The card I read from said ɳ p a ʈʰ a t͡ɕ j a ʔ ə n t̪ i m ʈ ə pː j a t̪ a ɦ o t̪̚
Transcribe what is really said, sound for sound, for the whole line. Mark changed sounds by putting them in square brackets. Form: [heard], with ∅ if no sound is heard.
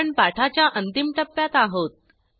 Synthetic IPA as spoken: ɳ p a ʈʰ a t͡ɕ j a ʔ ə n t̪ i m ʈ ə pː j a t̪ a ɦ o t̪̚